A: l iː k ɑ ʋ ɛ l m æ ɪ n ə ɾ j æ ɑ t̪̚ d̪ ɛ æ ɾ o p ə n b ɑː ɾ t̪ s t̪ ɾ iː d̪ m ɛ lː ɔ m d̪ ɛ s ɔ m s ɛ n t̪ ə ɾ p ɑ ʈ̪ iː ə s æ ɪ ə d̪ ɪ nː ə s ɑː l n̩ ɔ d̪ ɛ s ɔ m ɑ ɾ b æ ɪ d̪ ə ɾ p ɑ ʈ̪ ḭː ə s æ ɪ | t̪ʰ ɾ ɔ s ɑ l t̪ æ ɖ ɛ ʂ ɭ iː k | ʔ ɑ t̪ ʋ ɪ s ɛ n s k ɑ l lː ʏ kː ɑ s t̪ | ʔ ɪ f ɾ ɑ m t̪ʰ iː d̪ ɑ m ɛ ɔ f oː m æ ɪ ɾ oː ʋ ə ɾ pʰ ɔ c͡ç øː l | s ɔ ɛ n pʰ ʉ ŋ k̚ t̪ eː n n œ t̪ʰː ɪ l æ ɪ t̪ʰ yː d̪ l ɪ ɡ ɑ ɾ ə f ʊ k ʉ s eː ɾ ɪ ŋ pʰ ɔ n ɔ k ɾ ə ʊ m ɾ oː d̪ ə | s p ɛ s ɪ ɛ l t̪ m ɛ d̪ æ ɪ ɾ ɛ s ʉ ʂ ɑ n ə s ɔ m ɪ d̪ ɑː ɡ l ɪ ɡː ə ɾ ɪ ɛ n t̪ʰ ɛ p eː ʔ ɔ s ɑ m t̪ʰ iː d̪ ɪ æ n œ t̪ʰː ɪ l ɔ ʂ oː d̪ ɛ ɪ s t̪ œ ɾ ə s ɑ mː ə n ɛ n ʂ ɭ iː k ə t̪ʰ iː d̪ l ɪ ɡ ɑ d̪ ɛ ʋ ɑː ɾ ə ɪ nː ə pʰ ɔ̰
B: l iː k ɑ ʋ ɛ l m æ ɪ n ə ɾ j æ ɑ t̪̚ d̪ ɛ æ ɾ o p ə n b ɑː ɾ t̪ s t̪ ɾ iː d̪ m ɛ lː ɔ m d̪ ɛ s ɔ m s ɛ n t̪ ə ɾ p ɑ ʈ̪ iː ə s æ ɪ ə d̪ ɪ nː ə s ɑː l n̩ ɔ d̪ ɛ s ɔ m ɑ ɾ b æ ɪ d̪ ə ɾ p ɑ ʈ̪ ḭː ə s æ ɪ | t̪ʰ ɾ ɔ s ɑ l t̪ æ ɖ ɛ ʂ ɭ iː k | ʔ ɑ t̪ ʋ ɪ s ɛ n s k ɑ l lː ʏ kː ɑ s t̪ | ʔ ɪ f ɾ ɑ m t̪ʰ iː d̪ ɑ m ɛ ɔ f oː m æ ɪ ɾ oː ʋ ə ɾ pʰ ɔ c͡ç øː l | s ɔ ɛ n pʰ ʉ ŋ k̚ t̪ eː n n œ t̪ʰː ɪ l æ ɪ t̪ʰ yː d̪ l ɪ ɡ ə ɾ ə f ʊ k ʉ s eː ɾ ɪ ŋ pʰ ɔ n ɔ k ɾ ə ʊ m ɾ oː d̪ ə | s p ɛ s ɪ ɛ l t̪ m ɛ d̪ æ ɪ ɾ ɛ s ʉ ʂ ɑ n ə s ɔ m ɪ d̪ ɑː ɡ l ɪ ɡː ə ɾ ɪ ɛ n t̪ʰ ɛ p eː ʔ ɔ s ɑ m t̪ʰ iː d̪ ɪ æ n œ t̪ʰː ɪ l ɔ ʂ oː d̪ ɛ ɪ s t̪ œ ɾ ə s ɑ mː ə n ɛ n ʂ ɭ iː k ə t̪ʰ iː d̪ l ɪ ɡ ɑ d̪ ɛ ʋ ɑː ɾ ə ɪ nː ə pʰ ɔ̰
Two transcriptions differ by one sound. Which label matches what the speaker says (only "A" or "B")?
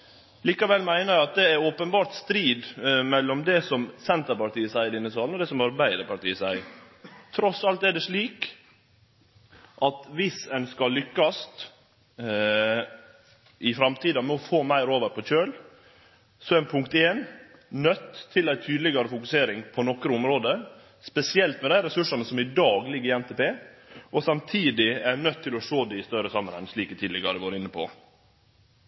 A